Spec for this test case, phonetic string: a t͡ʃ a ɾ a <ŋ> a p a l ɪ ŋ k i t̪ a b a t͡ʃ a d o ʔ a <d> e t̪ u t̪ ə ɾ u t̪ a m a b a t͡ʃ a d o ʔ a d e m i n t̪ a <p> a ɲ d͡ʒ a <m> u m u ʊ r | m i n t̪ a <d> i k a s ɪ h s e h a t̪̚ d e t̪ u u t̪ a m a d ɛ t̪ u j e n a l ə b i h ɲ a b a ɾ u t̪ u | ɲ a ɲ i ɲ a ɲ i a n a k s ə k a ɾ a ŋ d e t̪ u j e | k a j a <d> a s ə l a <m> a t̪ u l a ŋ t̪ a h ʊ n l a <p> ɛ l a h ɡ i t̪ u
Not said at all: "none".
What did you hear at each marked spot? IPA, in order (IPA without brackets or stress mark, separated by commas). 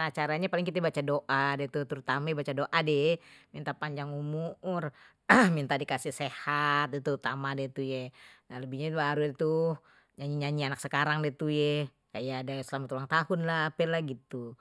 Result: ɲ, d, p, ŋ, d, d, m, p